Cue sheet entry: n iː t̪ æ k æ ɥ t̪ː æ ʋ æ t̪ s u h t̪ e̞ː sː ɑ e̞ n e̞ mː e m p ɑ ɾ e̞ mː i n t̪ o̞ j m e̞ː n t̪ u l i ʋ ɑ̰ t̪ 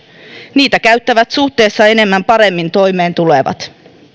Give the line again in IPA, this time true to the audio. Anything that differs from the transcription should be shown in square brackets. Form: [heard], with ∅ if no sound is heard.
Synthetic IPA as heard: n iː t̪ æ k æ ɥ t̪ː æ ʋ æ t̪ s u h t̪ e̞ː sː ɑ e̞ n e̞ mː [æ] m p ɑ ɾ e̞ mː i n t̪ o̞ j m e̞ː n t̪ u l [e] ʋ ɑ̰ t̪